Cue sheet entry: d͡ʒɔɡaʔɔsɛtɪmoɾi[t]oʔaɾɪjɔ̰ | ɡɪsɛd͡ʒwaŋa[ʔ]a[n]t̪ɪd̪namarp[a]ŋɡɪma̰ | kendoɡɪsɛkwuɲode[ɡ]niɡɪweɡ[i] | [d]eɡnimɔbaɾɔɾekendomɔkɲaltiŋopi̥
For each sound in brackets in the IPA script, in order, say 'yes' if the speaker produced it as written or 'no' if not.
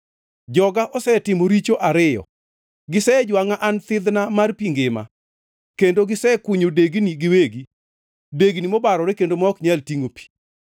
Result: no, yes, yes, no, yes, yes, yes

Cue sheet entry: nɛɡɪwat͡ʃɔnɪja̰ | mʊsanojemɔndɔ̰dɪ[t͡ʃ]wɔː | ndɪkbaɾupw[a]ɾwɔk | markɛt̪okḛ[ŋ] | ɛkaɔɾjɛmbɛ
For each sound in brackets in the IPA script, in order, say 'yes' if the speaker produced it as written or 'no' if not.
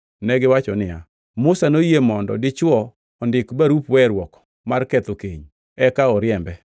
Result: yes, no, no

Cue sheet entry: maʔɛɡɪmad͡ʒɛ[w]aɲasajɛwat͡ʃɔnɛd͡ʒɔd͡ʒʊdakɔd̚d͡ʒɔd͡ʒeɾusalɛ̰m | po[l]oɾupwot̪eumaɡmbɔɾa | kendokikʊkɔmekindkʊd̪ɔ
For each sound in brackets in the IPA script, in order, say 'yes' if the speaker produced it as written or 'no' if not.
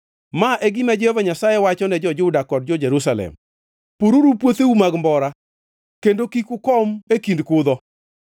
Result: no, no

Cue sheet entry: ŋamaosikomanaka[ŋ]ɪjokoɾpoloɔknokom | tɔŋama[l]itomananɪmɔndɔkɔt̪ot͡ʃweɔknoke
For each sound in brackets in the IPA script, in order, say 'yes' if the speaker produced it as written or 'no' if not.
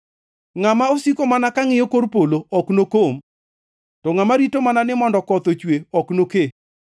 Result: yes, no

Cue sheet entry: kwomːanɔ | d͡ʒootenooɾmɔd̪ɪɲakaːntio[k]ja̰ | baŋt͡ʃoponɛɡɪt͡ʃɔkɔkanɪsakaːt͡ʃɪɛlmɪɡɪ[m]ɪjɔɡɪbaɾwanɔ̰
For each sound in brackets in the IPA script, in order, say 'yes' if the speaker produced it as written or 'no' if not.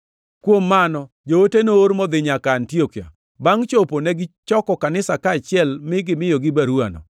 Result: yes, yes

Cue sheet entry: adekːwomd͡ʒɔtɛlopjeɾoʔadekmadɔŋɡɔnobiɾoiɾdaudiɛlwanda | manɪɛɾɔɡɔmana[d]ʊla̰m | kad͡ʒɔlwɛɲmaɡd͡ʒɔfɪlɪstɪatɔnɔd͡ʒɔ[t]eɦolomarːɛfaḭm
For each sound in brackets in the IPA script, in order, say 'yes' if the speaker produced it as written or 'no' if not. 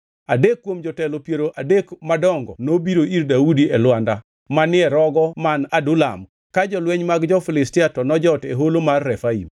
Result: yes, yes

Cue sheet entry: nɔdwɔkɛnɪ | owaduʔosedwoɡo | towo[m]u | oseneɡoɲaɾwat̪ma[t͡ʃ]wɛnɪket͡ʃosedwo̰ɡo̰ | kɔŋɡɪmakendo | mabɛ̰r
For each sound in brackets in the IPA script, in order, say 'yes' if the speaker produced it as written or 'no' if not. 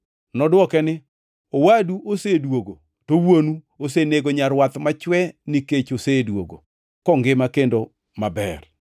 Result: no, yes

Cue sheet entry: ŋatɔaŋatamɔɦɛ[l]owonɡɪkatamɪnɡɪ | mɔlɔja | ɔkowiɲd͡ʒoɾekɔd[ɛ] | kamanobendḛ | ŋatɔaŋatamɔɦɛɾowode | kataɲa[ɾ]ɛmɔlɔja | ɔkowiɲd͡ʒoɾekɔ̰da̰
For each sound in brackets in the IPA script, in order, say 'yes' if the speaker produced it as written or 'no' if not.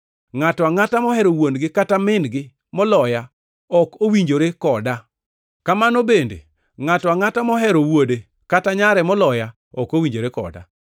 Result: no, no, yes

